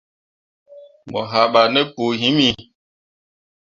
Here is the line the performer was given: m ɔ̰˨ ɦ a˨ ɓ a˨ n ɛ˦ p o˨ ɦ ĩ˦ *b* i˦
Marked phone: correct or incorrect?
incorrect